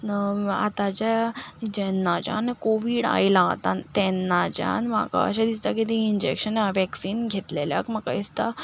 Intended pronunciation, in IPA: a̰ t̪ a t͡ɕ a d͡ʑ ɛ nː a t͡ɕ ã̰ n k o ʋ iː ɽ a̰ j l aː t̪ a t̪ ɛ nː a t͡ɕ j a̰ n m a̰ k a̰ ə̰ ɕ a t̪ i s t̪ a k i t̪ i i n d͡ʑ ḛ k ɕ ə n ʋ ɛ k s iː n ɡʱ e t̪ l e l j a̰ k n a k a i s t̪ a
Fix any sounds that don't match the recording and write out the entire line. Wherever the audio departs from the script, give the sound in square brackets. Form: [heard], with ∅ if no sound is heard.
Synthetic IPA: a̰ t̪ a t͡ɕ a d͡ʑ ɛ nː a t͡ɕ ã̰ n k o ʋ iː ɽ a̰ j l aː t̪ a t̪ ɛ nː a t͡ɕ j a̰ n m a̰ k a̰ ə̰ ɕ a [d̪] i s t̪ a k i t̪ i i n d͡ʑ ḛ k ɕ ə n ʋ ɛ k s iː n ɡʱ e t̪ l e l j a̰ k [m] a k a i s t̪ a